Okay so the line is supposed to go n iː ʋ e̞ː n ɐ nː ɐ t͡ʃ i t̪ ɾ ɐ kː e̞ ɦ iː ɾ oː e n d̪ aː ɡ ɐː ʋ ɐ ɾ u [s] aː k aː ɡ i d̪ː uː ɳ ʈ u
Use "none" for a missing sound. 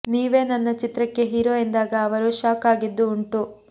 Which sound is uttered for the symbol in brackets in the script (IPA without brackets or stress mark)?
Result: ʃ